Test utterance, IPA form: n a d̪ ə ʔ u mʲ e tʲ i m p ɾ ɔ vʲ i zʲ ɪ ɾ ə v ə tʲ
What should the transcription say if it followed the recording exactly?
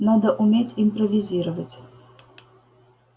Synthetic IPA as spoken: n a d̪ ə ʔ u mʲ e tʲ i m p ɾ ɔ vʲ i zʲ i ɾ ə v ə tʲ